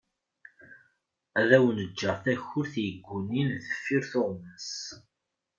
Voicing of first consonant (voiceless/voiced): voiced